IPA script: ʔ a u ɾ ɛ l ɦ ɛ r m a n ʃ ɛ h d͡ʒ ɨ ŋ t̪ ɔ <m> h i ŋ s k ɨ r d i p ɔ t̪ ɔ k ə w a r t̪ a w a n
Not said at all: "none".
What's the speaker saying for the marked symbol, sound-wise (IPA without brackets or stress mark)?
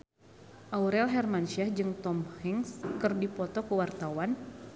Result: m